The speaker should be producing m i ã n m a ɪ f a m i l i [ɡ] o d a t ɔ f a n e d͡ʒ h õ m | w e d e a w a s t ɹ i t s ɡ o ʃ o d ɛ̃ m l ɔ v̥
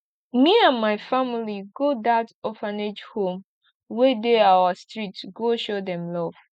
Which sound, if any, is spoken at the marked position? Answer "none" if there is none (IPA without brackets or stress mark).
ɡ